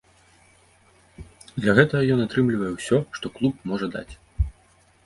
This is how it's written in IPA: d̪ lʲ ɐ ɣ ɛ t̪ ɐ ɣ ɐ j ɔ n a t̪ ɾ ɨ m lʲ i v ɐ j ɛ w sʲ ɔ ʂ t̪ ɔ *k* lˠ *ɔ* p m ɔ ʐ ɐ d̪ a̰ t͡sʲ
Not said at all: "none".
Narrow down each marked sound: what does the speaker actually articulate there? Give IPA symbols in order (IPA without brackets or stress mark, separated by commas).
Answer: k, u